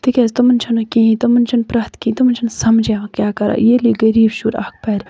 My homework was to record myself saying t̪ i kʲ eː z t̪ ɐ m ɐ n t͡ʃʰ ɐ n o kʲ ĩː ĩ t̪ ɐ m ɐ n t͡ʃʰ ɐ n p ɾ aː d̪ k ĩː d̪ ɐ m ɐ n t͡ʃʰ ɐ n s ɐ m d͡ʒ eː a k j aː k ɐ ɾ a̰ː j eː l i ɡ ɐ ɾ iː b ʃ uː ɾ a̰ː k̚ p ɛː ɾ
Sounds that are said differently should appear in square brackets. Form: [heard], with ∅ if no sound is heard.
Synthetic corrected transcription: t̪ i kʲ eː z t̪ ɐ m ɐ n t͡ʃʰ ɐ n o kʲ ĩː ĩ t̪ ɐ m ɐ n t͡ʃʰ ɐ n p ɾ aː [t̪] k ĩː [t̪] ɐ m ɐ n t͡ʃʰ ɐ n s ɐ m d͡ʒ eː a k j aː k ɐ ɾ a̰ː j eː l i ɡ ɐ ɾ iː b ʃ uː ɾ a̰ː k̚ p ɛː ɾ